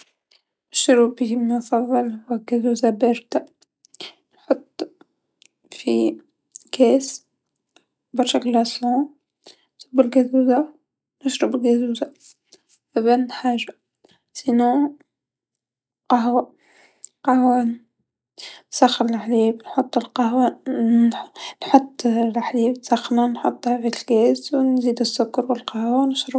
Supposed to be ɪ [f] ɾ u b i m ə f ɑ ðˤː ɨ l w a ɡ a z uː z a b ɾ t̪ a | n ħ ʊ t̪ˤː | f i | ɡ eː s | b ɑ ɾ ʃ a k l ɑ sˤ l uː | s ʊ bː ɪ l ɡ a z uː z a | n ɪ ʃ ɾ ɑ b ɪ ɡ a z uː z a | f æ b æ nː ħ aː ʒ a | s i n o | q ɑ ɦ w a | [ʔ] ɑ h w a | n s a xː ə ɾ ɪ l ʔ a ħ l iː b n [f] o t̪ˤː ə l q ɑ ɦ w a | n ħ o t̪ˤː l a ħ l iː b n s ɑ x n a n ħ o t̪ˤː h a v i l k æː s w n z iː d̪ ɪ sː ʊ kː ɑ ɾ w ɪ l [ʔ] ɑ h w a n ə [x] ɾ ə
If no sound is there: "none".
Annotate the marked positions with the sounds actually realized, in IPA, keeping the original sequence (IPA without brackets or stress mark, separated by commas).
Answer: ʃ, q, ħ, q, ʃ